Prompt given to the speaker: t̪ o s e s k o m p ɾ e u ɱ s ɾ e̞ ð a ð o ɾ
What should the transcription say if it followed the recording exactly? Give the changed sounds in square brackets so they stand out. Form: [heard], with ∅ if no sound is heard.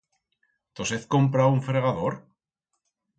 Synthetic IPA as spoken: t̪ o s e [θ] k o m p ɾ [a] u ɱ [f] ɾ e̞ [ɣ] a ð o ɾ